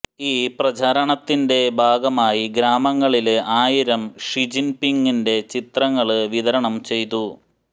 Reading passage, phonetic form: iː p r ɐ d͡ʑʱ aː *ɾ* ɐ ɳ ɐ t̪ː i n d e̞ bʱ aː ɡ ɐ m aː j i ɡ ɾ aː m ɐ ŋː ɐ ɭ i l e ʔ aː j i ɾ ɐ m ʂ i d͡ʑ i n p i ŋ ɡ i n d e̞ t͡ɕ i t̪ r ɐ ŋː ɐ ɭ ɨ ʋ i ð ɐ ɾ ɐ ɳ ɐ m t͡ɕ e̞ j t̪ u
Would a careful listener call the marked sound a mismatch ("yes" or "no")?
no